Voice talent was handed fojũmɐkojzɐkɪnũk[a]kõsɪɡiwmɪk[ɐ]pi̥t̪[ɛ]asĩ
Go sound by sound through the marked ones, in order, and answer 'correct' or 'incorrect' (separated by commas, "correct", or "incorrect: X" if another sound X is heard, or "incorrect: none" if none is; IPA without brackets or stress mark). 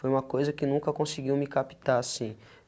incorrect: ɐ, incorrect: a, incorrect: a